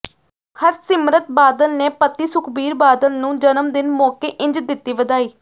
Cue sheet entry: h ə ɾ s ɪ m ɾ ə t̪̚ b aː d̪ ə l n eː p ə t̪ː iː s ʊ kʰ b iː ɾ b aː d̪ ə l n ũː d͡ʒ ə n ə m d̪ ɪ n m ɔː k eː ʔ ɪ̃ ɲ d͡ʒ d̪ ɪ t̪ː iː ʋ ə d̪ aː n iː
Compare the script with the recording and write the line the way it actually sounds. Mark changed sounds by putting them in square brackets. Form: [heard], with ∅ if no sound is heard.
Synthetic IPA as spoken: h ə ɾ s ɪ m ɾ ə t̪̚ b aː d̪ ə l n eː p ə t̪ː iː s ʊ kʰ b iː ɾ b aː d̪ ə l n ũː d͡ʒ ə n ə m d̪ ɪ n m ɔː k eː ʔ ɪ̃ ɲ d͡ʒ d̪ ɪ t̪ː iː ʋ ə d̪ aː [∅] iː